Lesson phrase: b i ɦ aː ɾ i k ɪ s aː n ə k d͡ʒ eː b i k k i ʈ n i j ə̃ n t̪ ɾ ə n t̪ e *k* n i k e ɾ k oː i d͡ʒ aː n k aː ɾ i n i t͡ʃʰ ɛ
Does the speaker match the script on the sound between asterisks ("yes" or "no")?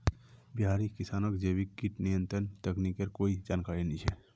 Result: yes